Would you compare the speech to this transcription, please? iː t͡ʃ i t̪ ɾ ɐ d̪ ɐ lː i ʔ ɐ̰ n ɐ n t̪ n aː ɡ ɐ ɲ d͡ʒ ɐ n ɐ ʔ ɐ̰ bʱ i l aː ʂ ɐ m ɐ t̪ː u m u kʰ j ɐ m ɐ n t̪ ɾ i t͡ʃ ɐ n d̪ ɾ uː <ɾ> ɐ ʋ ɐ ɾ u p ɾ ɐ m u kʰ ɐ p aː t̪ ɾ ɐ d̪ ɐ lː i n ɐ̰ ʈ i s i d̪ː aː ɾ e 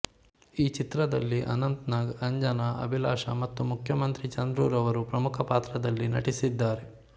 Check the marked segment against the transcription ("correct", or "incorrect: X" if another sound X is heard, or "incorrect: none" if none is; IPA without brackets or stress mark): correct